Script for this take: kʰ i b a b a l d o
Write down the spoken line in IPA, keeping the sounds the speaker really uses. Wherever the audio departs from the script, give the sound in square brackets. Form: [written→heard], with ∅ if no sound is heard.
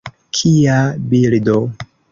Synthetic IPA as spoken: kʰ i [b→∅] a b [a→i] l d o